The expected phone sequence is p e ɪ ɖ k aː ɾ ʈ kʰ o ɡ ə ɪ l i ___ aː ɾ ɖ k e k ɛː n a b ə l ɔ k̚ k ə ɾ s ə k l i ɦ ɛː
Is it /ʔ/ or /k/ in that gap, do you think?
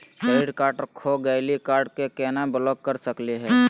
k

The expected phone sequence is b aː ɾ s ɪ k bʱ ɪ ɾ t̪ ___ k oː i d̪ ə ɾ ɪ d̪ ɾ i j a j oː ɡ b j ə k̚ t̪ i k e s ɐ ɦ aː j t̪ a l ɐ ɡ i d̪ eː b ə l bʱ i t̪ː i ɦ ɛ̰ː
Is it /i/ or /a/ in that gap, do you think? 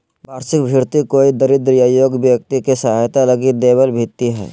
i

